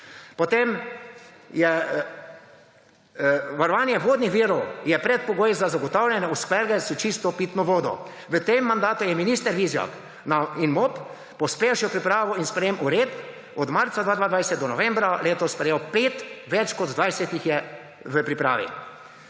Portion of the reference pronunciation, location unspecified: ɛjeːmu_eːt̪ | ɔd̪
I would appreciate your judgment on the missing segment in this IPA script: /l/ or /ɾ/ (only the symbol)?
ɾ